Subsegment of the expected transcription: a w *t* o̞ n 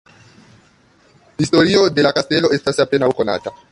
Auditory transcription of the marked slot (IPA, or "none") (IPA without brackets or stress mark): k